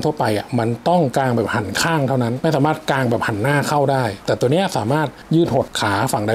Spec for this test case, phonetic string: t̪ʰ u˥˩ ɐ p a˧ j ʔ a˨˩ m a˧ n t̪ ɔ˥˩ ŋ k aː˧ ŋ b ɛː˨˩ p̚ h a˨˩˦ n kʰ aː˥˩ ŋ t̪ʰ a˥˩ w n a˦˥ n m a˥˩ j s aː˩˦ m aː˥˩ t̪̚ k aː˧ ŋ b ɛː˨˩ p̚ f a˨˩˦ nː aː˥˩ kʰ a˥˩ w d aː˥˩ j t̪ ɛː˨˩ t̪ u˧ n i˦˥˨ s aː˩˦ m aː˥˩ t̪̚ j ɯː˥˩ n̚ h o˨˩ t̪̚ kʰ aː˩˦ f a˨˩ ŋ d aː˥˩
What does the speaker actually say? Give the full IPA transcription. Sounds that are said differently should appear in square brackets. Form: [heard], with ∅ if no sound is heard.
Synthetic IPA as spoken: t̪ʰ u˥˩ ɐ p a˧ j ʔ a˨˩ m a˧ n t̪ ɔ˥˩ ŋ k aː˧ ŋ b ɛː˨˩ p̚ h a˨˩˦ n kʰ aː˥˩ ŋ t̪ʰ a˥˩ w n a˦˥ n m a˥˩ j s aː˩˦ m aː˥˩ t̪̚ k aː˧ ŋ b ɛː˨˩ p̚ [h] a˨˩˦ nː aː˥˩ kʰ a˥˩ w d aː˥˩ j t̪ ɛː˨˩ t̪ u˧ n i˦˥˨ s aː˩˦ m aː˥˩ t̪̚ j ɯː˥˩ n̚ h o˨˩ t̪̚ kʰ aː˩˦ f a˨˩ ŋ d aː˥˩